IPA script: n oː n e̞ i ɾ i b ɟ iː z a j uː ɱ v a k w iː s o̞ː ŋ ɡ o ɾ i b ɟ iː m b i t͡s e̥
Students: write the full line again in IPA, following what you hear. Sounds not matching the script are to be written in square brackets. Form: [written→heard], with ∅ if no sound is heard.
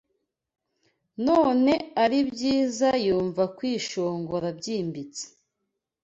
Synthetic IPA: n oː n e̞ [i→a] ɾ i b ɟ iː z a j uː ɱ v a k w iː [s→ʃ] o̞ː ŋ ɡ o ɾ [i→a] b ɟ iː m b i t͡s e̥